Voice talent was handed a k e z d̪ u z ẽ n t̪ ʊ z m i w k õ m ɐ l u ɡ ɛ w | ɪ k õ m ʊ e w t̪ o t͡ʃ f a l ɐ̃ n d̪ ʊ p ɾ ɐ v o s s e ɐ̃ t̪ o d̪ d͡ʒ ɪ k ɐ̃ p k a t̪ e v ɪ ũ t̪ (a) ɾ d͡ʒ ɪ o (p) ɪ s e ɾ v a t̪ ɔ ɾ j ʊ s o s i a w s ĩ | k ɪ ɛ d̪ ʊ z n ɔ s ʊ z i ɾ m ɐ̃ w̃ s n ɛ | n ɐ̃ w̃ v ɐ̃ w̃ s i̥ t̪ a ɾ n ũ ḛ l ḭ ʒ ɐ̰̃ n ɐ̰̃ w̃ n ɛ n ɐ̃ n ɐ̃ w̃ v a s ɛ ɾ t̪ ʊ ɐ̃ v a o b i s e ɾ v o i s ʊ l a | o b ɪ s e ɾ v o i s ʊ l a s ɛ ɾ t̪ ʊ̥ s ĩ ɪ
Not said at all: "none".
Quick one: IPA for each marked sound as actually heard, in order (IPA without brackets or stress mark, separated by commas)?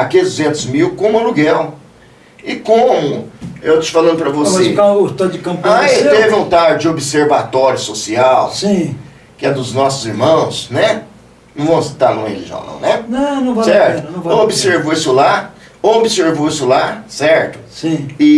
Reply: a, b